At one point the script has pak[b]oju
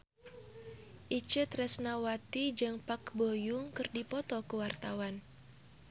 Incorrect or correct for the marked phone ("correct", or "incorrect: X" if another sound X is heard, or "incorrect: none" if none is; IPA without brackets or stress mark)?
correct